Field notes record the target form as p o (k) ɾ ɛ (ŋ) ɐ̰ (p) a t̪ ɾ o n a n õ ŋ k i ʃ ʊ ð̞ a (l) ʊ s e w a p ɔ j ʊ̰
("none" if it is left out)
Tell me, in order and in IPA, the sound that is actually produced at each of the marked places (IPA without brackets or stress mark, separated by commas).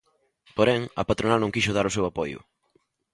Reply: none, ŋ, p, ɾ